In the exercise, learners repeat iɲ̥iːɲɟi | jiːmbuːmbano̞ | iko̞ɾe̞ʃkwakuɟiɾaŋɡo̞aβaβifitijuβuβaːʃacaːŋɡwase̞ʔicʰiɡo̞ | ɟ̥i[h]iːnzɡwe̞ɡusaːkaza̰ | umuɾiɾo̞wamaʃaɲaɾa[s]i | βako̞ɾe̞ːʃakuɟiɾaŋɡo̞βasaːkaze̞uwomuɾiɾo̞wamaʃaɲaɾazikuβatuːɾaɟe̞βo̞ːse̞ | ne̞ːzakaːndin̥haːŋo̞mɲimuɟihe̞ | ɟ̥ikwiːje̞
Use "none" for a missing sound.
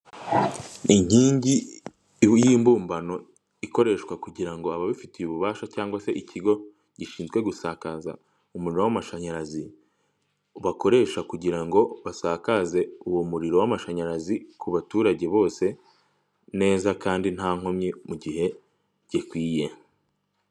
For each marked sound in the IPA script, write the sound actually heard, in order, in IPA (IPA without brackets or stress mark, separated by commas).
ʃ, z